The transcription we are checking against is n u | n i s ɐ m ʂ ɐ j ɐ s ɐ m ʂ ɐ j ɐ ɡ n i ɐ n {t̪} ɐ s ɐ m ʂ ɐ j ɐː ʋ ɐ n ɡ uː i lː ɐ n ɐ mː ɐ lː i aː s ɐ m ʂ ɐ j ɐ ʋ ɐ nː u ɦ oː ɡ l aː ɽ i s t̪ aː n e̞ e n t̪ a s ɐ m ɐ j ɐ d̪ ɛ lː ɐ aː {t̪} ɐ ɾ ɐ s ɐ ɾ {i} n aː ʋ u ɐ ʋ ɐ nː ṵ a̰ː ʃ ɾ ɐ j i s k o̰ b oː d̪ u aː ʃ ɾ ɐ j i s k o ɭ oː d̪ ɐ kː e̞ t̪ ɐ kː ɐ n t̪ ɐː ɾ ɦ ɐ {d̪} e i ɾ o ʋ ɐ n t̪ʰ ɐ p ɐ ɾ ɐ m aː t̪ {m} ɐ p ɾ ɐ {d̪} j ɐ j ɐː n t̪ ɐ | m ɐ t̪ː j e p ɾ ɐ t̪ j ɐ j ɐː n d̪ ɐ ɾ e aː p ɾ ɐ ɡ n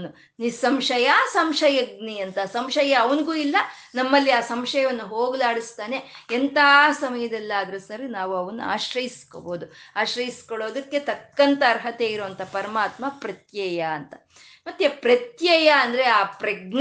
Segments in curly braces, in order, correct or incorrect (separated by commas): correct, incorrect, correct, incorrect, correct, incorrect